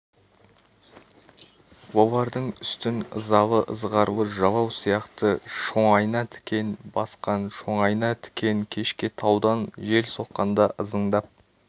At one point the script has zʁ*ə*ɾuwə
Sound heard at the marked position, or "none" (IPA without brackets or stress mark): ɑ